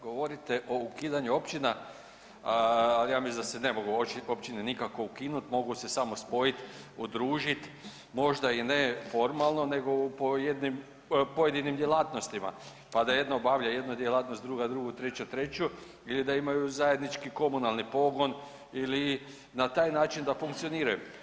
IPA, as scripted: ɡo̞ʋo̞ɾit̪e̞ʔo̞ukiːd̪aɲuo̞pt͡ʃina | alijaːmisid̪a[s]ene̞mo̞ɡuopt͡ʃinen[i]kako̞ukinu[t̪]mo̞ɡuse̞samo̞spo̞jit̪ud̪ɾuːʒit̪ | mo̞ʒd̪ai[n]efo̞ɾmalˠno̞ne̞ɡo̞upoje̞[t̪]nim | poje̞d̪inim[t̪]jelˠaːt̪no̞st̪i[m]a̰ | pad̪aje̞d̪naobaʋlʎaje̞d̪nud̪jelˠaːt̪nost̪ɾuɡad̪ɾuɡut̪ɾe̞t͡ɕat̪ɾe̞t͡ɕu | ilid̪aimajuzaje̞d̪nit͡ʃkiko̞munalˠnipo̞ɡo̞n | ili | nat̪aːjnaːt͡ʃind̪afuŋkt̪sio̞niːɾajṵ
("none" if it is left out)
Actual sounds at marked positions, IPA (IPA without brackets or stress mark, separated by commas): s, i, t̪, n, d̪, d̪, m